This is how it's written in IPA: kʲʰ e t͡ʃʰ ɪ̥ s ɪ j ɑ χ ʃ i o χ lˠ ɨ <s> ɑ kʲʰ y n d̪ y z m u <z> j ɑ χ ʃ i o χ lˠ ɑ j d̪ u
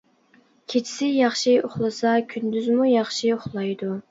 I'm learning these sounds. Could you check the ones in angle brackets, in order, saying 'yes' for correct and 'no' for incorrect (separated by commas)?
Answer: yes, no